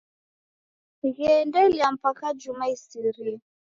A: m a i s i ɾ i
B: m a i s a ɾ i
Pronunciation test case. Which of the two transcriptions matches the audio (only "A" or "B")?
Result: A